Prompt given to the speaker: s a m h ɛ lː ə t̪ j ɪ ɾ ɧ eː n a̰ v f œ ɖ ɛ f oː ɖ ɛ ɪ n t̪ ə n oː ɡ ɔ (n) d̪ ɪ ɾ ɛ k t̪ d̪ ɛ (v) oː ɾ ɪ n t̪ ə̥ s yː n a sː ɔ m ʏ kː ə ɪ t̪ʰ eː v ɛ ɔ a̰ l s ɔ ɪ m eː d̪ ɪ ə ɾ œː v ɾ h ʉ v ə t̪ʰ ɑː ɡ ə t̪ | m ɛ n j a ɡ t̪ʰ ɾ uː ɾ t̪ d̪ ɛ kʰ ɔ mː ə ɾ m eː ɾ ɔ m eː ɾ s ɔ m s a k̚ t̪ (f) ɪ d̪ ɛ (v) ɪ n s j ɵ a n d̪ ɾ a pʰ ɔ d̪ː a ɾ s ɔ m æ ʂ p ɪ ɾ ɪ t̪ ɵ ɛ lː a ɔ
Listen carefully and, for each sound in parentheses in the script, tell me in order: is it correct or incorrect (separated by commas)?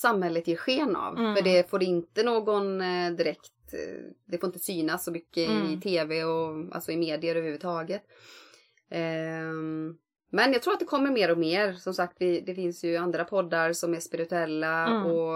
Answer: correct, incorrect, incorrect, incorrect